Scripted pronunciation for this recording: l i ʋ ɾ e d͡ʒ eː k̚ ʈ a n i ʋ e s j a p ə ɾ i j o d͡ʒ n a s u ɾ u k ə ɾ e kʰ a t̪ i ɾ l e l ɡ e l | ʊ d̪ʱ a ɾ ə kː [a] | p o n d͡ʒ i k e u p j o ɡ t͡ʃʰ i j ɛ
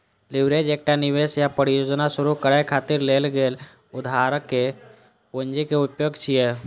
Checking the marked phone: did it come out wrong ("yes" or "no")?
yes